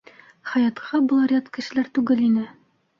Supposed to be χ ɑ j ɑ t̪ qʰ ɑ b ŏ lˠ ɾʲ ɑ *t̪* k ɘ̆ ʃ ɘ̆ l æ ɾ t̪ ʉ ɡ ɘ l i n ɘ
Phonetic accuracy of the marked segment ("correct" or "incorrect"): correct